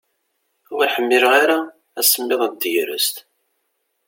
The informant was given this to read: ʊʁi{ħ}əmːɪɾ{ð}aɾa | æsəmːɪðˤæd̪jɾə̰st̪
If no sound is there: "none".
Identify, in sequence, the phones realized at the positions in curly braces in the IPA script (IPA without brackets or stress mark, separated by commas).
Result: ħ, ʁ